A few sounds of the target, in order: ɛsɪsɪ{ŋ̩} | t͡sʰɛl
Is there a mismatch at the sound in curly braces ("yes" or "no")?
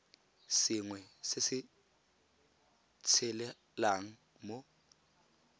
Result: yes